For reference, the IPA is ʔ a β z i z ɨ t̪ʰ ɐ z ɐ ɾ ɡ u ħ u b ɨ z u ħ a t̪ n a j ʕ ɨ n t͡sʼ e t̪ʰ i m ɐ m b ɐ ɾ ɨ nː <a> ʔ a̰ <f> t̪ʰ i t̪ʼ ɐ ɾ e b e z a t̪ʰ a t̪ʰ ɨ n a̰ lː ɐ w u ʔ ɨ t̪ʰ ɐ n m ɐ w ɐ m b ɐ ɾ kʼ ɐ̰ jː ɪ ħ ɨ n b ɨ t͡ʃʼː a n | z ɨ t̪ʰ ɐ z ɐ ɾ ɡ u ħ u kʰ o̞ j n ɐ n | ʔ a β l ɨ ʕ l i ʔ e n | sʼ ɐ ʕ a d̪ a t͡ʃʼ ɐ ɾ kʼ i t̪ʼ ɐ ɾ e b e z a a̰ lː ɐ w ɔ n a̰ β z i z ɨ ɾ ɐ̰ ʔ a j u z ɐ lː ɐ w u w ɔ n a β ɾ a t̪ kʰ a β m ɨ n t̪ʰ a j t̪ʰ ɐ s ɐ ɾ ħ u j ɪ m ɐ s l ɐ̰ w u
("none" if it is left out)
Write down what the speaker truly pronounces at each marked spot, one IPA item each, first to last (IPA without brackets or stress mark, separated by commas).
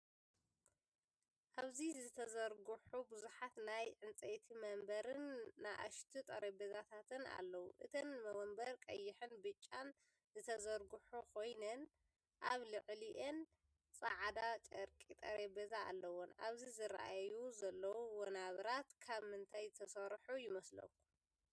a, ʃ